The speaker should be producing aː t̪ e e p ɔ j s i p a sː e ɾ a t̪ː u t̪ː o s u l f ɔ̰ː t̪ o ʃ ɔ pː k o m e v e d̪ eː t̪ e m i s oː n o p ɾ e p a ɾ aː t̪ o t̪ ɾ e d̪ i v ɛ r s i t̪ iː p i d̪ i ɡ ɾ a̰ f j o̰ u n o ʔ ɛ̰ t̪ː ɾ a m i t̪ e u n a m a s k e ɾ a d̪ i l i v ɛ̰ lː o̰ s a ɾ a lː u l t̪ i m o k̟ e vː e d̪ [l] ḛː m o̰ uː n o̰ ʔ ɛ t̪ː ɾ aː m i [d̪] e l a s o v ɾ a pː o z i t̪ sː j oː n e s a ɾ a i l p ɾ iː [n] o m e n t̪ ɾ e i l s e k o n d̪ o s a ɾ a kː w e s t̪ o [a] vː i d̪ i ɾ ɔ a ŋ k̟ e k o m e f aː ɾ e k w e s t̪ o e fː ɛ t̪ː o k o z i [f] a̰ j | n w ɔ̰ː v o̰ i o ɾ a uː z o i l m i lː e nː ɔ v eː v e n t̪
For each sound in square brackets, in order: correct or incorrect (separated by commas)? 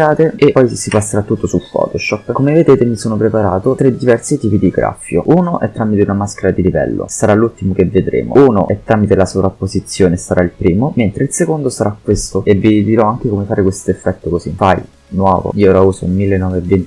incorrect, incorrect, incorrect, incorrect, correct